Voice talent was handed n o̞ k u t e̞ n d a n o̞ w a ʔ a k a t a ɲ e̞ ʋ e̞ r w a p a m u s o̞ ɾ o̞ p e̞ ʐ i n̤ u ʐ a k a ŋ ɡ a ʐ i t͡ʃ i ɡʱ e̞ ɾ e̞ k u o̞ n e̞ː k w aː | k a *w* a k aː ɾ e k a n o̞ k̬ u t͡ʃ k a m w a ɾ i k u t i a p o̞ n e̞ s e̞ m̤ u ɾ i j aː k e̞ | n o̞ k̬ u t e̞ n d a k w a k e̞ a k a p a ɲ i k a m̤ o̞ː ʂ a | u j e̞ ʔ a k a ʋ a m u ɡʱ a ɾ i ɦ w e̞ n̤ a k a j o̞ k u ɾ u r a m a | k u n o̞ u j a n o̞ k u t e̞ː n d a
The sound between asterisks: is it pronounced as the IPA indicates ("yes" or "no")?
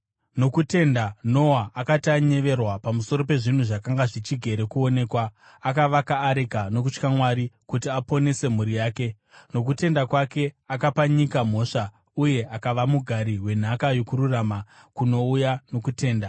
no